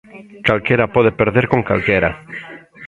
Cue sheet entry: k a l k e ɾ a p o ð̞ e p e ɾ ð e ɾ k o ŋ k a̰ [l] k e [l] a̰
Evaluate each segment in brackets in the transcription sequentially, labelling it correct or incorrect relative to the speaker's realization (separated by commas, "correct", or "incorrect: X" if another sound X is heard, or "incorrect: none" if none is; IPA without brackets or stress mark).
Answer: correct, incorrect: ɾ